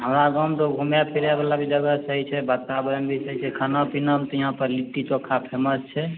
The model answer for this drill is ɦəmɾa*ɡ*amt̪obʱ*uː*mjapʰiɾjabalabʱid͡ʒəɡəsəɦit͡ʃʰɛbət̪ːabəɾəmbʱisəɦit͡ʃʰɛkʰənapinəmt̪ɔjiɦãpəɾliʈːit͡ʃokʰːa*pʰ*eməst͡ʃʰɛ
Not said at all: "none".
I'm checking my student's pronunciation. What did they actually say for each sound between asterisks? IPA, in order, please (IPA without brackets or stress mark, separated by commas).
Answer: ɡ, u, pʰ